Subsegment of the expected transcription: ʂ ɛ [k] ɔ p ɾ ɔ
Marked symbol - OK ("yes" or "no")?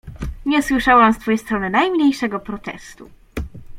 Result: no